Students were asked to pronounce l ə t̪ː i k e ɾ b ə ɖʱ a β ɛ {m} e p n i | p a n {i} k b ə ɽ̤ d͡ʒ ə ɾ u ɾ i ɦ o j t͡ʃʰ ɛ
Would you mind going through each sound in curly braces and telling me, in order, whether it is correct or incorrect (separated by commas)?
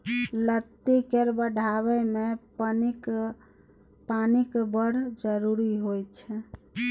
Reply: correct, correct